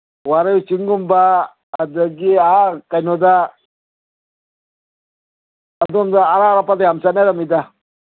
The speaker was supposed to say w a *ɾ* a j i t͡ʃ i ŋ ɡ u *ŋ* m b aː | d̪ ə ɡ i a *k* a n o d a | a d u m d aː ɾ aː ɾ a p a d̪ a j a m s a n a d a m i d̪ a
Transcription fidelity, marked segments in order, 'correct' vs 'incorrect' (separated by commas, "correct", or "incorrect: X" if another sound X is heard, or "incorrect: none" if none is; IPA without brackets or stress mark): correct, incorrect: none, correct